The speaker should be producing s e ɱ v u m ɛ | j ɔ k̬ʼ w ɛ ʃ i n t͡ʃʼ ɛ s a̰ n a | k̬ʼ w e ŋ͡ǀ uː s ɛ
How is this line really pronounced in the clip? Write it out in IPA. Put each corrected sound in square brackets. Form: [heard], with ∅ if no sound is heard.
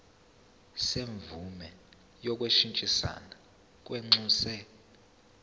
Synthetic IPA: s e ɱ v u m ɛ | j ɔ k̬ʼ w [e] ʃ i n t͡ʃʼ [i] s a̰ n a | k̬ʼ w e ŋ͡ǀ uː s ɛ